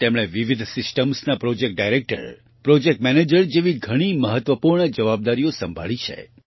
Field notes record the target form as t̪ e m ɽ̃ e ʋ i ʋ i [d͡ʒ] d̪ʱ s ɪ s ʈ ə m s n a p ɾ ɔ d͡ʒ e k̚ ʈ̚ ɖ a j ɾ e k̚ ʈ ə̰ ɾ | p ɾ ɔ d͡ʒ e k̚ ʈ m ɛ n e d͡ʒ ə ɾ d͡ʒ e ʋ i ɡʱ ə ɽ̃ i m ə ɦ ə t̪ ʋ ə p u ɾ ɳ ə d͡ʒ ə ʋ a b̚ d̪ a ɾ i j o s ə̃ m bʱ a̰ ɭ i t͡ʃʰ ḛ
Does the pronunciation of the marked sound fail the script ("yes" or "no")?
yes